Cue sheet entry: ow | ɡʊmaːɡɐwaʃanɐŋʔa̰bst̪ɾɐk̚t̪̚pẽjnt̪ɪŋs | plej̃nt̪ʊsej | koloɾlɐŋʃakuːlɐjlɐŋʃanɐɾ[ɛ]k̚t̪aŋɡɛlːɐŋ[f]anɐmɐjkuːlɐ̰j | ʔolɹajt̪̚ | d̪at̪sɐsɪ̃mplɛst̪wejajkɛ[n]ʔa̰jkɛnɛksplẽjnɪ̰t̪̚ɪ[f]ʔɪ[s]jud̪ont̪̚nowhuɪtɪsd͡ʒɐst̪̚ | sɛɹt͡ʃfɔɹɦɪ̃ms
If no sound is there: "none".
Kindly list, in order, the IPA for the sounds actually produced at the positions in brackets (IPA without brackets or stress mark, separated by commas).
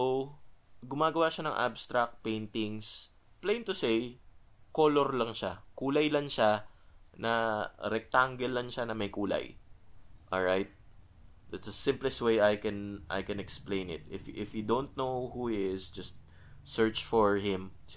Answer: ɛ, ʃ, n, f, f